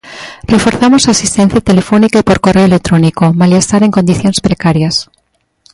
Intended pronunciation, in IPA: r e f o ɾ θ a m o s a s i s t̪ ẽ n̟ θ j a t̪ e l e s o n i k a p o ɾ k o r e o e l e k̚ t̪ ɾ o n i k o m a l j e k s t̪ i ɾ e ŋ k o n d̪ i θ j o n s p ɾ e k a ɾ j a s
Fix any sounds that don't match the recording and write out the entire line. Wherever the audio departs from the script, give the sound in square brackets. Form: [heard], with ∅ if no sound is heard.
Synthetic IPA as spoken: r e f o ɾ θ a m o s a s i s t̪ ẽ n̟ θ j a t̪ e l e [f] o n i k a p o ɾ k o r e o e l e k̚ t̪ ɾ o n i k o m a l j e [∅] s t̪ [a] ɾ e ŋ k o n d̪ i θ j o n s p ɾ e k a ɾ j a s